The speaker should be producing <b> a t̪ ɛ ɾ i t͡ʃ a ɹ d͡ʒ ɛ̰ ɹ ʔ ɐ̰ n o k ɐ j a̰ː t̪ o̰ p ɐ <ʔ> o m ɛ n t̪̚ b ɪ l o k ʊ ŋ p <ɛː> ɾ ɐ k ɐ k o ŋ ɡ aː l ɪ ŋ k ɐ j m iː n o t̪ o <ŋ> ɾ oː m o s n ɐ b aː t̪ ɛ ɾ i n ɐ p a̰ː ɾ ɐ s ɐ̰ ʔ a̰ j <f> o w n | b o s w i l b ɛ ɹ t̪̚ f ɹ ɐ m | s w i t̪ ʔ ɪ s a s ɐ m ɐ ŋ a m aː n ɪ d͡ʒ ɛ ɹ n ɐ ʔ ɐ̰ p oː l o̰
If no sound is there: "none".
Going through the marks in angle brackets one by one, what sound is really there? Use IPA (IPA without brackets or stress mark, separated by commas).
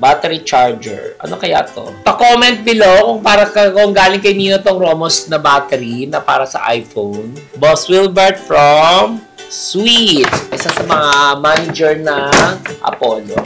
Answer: b, k, aː, ŋ, f